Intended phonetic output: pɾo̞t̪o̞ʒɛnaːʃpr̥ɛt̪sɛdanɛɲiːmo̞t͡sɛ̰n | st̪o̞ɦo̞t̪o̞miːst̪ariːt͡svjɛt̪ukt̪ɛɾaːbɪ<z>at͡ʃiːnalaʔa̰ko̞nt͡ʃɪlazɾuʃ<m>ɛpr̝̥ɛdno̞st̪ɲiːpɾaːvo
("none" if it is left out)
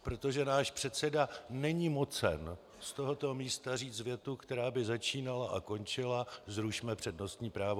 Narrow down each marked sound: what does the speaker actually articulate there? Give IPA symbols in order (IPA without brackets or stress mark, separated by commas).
z, m